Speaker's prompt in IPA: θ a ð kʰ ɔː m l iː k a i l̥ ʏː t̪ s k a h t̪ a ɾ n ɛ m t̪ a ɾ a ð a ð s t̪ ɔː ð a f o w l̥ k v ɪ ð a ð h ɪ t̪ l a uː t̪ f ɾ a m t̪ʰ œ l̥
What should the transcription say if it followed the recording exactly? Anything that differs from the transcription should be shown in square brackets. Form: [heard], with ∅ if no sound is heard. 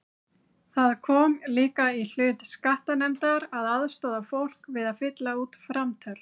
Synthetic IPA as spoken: θ a ð kʰ ɔː m l iː k a i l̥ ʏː t̪ s k a h t̪ a [∅] n ɛ m t̪ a ɾ a ð a ð s t̪ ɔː ð a f o w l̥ k v ɪ ð a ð [f] ɪ t̪ l a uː t̪ f ɾ a m t̪ʰ œ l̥